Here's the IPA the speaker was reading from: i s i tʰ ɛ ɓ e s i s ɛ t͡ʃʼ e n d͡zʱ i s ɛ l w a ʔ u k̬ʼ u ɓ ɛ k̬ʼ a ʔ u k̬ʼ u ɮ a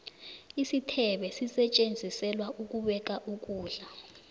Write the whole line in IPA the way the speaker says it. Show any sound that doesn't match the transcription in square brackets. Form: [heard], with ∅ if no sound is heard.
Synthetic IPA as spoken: i s i tʰ ɛ ɓ [ɛ] s i s ɛ t͡ʃʼ e n d͡zʱ i s ɛ l w a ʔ u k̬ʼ u ɓ ɛ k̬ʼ a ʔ u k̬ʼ [uː] ɮ a